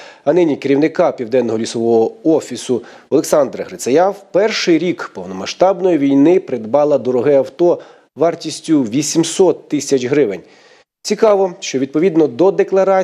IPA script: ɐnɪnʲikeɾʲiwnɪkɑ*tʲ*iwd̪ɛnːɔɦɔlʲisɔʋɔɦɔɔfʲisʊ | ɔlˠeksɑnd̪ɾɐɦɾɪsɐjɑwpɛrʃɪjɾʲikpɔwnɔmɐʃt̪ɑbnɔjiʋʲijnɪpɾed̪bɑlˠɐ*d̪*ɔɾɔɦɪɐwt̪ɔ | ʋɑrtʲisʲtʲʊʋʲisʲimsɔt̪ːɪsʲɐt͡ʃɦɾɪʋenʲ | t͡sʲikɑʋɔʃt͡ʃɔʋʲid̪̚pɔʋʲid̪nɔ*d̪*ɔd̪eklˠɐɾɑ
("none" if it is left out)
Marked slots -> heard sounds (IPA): pʲ, d̪, d̪

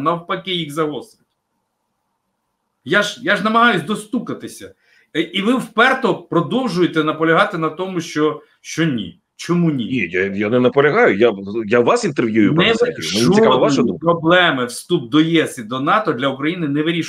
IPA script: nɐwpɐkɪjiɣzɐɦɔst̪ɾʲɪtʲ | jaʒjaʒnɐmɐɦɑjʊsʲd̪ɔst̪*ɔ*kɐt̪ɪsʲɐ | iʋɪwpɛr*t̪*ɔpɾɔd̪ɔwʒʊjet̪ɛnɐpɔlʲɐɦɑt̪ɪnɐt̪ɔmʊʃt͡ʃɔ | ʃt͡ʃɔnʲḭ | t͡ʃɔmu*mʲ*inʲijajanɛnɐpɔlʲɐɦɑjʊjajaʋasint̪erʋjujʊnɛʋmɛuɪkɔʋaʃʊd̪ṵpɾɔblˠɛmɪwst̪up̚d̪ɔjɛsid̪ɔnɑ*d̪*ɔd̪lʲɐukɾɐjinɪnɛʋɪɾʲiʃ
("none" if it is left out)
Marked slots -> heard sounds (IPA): u, t̪, nʲ, t̪

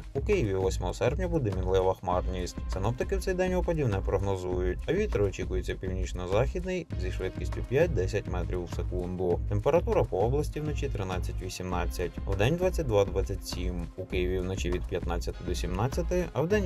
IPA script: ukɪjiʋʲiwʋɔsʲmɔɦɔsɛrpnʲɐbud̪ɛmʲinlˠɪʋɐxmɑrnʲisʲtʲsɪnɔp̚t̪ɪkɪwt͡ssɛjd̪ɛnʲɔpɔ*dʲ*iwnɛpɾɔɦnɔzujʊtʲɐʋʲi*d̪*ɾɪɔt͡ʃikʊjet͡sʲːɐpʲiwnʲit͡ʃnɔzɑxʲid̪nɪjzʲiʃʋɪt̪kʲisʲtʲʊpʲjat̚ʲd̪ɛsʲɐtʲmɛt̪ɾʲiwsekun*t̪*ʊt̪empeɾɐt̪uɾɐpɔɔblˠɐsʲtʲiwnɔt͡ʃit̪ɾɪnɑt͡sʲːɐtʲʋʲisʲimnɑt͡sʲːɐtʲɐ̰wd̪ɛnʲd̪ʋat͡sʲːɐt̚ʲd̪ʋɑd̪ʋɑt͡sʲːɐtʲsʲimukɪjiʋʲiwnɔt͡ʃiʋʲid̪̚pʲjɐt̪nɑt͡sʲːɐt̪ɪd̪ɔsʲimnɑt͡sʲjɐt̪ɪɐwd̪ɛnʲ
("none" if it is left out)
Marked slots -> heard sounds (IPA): dʲ, t̪, d̪

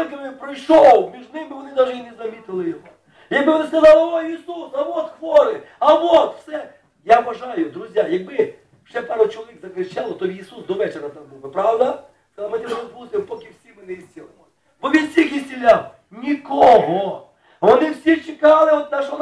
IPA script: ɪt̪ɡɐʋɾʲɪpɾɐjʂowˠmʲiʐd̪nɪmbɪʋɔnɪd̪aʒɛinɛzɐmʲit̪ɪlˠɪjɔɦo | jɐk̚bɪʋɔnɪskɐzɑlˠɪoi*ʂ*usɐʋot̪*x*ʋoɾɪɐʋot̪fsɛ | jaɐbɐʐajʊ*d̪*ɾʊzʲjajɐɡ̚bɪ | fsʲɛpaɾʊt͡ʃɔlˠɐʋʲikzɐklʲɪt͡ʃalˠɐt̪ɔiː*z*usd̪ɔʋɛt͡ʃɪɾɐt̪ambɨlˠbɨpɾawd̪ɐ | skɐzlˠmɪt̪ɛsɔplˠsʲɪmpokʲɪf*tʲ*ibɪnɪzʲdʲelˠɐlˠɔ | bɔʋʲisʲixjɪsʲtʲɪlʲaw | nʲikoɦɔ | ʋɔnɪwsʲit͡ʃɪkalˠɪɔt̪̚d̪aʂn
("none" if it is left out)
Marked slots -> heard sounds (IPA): s, x, d̪, s, sʲ

